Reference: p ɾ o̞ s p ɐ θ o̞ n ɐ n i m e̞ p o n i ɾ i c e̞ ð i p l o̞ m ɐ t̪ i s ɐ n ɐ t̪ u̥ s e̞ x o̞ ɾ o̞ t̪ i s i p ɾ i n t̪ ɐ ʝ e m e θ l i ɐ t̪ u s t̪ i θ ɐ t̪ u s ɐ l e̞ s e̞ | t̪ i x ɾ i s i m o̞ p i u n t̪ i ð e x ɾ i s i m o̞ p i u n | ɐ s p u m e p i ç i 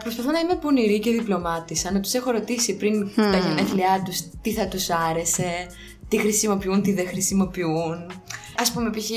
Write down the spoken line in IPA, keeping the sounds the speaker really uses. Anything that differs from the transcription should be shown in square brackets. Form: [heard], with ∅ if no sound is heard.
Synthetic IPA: p ɾ o̞ s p ɐ θ o̞ n ɐ [∅] i m e̞ p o n i ɾ i c e̞ ð i p l o̞ m ɐ t̪ i s ɐ n ɐ t̪ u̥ s e̞ x o̞ ɾ o̞ t̪ i s i p ɾ i n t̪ ɐ ʝ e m e θ l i ɐ t̪ u s t̪ i θ ɐ t̪ u s ɐ [ɾ] e̞ s e̞ | t̪ i x ɾ i s i m o̞ p i u n t̪ i ð e x ɾ i s i m o̞ p i u n | ɐ s p u m e p i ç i